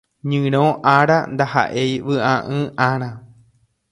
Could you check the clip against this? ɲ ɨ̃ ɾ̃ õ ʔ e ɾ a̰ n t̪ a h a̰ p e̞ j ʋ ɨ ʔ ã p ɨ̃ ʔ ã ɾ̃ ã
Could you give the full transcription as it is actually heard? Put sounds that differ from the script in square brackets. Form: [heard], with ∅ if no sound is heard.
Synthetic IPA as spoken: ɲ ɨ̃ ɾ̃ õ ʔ [a] ɾ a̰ n [d̪] a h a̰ [ʔ] e̞ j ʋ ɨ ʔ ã [ʔ] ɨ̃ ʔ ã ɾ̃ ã